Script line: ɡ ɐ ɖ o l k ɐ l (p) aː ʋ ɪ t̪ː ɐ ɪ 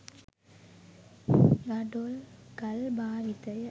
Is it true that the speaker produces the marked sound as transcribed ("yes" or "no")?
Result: no